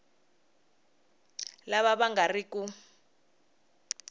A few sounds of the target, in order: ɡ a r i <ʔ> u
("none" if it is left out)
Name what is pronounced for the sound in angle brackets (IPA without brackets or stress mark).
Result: k